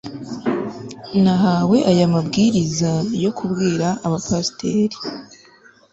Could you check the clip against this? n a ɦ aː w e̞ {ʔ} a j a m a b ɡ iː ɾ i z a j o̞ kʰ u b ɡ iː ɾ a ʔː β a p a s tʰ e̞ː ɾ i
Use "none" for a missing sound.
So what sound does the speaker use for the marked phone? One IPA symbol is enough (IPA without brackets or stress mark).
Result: ʔ